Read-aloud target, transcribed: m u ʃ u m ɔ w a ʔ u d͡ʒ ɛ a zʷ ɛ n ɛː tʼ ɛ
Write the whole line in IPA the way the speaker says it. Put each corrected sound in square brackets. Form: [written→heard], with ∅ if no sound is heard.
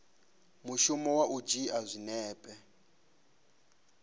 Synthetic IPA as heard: m u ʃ u m ɔ w a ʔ u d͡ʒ [ɛ→i] a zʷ [ɛ→i] n ɛː [tʼ→pʼ] ɛ

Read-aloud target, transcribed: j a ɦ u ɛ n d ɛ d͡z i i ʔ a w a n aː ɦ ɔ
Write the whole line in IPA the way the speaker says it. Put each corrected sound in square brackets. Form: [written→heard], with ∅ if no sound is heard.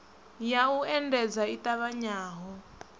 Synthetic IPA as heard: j a [ɦ→∅] u ɛ n d ɛ d͡z [i→a] i [ʔ→t] a [w→β] a [n→ɲ] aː ɦ ɔ

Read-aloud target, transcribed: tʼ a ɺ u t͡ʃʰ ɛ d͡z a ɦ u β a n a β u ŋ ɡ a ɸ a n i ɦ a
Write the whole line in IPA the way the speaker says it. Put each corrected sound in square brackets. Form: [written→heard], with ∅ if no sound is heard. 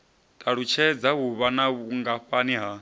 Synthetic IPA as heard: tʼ a ɺ u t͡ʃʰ ɛ d͡z a ɦ u β a n a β u ŋ ɡ a ɸ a n i ɦ a

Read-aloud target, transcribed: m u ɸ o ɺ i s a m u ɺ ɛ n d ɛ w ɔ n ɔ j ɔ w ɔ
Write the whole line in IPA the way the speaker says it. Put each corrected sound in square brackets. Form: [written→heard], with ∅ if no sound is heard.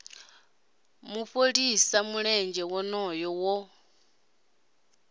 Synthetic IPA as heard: m u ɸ o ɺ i s a m u ɺ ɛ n [d→d͡ʒ] ɛ w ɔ n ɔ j ɔ w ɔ

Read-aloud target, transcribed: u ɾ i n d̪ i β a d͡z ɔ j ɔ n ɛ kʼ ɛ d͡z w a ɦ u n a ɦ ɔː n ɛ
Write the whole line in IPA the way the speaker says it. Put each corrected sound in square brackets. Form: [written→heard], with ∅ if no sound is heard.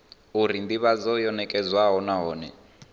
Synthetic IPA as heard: u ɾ i n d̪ i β a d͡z ɔ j ɔ n ɛ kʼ ɛ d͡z w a ɦ [u→ɔ] n a ɦ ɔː n ɛ

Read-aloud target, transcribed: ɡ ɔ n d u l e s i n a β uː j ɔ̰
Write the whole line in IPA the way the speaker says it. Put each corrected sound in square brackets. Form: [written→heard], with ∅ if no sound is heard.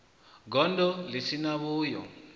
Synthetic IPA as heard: ɡ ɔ n d [u→ɔ] l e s i n a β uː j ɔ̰

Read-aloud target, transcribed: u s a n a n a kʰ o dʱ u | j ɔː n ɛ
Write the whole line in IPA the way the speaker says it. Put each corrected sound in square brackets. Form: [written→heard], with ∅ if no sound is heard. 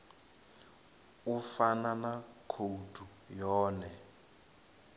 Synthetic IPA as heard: u [s→f] a n a n a kʰ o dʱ u | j ɔː n ɛ

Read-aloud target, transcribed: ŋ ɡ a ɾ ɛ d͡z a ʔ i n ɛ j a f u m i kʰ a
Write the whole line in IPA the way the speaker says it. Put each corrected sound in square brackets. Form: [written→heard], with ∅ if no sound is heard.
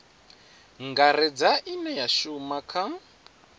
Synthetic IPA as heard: ŋ ɡ a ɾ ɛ d͡z a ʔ i n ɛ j a [f→ʃ] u m [i→a] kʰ a

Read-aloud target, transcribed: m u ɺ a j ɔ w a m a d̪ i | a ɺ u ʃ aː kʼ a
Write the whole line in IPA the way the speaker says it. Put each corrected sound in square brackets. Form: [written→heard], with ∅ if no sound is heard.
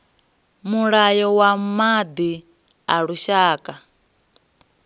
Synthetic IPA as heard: m u ɺ a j ɔ w a m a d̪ i | a ɺ u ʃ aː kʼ a

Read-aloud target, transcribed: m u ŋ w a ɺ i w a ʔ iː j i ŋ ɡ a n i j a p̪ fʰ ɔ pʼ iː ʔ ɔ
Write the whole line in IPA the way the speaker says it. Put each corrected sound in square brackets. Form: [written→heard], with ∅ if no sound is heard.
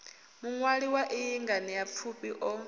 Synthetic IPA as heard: m u ŋ w a ɺ i w a ʔ [iː→i] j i ŋ ɡ a n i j a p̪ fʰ [ɔ→u] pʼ [iː→i] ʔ ɔ

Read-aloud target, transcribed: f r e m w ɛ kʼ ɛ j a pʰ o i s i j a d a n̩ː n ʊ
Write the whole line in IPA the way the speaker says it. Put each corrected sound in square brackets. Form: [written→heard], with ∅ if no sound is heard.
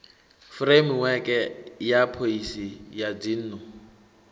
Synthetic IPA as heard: f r e m w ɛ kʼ ɛ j a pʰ o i s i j a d [a→i] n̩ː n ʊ

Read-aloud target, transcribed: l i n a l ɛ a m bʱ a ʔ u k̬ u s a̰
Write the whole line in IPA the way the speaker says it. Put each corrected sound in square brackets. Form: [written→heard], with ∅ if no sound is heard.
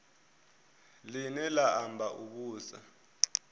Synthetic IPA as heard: l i n [a→ɛ] l [ɛ→a] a m bʱ a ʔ u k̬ [u→uː] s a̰

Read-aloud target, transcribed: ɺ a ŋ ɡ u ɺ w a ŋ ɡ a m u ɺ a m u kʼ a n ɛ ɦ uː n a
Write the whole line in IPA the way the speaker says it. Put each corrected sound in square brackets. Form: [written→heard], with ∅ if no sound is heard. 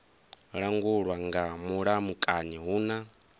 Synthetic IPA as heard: ɺ a ŋ ɡ u ɺ w a ŋ ɡ a m u ɺ a m u kʼ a [n→ɲ] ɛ ɦ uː n a

